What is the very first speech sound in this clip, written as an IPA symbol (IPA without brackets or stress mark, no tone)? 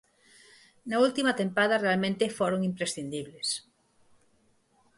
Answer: n